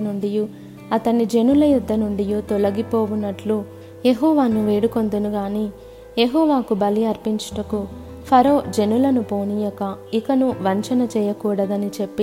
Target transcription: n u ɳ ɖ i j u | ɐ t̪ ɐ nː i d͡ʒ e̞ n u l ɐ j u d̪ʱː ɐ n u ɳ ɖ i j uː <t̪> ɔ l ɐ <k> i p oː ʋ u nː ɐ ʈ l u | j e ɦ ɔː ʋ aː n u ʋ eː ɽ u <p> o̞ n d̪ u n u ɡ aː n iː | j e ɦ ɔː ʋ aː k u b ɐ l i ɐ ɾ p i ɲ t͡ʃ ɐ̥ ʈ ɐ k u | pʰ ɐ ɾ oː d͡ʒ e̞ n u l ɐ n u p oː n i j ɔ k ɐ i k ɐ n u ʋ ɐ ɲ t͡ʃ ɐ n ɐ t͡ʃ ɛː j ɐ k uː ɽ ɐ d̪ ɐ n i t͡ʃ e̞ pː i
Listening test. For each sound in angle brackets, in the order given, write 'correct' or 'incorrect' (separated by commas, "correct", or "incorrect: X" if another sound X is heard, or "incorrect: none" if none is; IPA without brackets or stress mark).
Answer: correct, incorrect: ɡ, incorrect: k